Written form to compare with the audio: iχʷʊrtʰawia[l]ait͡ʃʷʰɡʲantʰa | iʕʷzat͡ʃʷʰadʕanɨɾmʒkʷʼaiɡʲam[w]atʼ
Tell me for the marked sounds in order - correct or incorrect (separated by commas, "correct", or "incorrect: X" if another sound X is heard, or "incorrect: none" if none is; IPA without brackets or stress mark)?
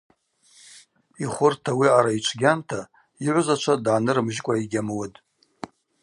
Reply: incorrect: ɾ, correct